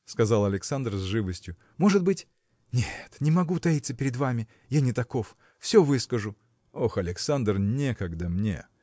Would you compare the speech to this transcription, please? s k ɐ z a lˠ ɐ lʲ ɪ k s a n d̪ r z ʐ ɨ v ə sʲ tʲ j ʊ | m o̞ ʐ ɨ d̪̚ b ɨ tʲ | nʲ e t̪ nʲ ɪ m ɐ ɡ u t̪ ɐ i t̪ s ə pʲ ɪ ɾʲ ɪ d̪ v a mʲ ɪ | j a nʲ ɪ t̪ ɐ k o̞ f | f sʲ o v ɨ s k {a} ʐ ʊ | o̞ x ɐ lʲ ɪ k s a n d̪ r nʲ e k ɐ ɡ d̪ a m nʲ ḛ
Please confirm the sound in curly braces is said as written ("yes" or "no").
no